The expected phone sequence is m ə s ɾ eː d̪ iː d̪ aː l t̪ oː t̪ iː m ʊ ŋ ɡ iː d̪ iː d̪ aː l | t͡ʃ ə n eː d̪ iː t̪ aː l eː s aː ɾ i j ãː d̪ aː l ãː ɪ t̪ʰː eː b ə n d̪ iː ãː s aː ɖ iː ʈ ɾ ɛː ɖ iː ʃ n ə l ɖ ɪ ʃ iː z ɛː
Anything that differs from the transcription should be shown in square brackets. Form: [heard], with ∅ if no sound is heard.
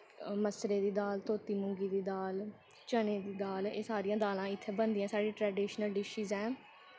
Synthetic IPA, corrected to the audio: m ə s ɾ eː d̪ iː d̪ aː l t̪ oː t̪ iː m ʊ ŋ ɡ iː d̪ iː d̪ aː l | t͡ʃ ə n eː d̪ iː [d̪] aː l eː s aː ɾ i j ãː d̪ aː l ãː ɪ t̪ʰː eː b ə n d̪ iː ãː s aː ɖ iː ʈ ɾ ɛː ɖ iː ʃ n ə l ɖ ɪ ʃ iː z ɛː